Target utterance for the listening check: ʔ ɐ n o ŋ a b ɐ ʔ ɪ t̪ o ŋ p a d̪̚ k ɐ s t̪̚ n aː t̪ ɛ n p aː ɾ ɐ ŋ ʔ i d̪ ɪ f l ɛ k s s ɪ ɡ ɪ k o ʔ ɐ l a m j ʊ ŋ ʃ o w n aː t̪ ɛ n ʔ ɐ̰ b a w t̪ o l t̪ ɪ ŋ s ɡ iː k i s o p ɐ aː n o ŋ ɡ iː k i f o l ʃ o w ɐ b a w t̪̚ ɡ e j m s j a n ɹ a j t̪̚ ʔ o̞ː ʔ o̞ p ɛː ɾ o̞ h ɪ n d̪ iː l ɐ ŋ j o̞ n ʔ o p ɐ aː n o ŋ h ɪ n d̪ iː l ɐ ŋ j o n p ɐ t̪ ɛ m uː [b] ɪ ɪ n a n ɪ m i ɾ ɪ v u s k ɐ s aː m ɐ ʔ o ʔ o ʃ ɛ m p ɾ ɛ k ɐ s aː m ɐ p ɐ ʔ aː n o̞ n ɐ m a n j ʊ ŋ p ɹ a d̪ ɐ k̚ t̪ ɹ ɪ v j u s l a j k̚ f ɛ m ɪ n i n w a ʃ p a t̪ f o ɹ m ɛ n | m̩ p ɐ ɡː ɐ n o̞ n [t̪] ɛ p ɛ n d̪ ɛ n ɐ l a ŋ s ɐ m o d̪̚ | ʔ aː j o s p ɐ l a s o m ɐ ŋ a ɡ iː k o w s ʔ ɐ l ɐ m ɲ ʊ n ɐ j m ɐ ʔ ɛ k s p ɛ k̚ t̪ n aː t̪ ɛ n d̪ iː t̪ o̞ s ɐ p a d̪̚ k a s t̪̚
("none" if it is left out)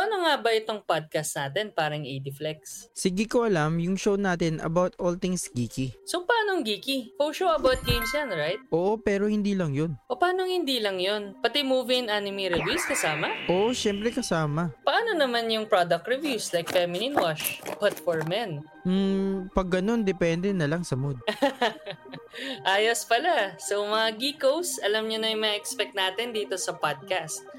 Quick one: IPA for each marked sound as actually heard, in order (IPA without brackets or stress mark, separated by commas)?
v, d̪